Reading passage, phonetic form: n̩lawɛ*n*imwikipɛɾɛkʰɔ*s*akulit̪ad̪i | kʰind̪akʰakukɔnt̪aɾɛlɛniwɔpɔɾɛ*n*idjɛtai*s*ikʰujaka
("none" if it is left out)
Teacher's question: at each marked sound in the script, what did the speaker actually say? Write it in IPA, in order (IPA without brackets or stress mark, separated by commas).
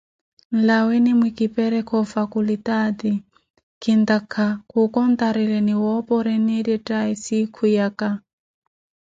n, f, n, s